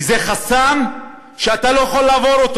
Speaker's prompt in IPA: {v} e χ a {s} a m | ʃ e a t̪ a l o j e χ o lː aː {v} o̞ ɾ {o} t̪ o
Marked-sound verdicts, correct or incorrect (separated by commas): incorrect, correct, correct, correct